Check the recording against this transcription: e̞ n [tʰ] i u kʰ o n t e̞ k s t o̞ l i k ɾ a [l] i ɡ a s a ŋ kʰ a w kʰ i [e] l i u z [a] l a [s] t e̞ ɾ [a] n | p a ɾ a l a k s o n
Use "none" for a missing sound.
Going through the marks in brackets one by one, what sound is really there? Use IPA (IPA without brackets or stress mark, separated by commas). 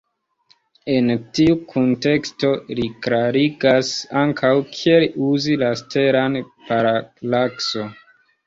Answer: t, ɾ, e, i, s, a